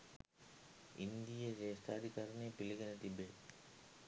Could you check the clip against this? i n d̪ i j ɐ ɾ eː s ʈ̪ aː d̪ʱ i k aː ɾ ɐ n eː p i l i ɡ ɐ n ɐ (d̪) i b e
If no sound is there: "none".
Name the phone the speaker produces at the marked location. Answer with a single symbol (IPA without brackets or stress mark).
t̪